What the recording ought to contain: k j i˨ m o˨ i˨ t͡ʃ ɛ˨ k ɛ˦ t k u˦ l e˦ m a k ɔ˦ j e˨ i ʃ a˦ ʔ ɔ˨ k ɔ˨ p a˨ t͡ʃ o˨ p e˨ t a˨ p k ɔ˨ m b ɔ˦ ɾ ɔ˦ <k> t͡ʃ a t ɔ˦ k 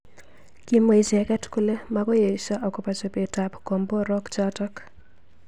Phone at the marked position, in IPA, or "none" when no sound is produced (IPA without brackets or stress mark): k